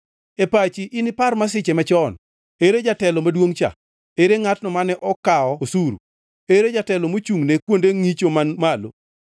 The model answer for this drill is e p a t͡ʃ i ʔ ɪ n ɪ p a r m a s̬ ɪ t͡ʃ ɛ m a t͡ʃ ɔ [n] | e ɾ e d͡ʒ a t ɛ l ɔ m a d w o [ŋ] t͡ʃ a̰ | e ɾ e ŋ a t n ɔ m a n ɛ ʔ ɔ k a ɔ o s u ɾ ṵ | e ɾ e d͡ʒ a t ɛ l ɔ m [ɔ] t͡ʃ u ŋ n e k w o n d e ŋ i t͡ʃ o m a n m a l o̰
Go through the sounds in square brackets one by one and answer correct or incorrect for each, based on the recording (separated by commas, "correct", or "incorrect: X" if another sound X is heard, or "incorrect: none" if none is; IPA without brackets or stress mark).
correct, correct, incorrect: o